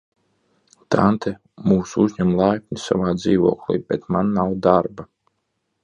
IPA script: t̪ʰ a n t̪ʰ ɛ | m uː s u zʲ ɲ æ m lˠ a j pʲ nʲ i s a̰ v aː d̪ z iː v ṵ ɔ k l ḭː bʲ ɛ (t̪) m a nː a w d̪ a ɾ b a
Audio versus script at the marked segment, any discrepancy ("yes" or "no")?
no